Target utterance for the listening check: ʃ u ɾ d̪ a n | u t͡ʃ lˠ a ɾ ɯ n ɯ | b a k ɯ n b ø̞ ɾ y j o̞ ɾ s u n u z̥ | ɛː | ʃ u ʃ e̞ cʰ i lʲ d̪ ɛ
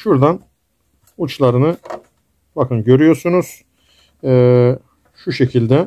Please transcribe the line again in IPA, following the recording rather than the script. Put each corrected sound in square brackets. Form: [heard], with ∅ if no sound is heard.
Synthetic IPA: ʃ u ɾ d̪ a n | u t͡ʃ lˠ a ɾ ɯ n ɯ | b a k ɯ n [ɟ] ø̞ ɾ y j o̞ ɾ s u n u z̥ | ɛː | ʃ u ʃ e̞ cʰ i lʲ d̪ ɛ